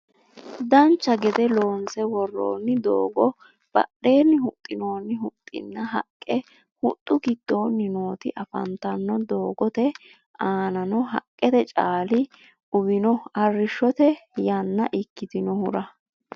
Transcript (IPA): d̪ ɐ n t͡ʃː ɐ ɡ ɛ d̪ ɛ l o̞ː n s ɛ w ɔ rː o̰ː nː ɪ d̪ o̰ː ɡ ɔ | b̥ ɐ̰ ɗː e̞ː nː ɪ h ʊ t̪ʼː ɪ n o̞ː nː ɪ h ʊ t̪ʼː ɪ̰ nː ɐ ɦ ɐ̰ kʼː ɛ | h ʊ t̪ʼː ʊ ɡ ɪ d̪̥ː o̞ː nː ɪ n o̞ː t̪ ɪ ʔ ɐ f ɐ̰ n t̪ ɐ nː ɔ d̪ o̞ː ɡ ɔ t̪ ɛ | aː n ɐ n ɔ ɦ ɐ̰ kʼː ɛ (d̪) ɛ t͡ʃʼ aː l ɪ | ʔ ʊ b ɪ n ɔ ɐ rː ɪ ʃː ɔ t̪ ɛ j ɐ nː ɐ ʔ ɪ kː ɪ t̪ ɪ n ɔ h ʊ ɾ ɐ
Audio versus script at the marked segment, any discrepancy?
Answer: yes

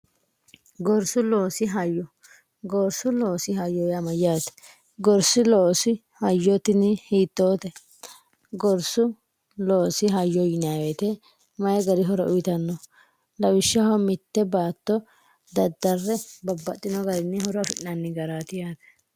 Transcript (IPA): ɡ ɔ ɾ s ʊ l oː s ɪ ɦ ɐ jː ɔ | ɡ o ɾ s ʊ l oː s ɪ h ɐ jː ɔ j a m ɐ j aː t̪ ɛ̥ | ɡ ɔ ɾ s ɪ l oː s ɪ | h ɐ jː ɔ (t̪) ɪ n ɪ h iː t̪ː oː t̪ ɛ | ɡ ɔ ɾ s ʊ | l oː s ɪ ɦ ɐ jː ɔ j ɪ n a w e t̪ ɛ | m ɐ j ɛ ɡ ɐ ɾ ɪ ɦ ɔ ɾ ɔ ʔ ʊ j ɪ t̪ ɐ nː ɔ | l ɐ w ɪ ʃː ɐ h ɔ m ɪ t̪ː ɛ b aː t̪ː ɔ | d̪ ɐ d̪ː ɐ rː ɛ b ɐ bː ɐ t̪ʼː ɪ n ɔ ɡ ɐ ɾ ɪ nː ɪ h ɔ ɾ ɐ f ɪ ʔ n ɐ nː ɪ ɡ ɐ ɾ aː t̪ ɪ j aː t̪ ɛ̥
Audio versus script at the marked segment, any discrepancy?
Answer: no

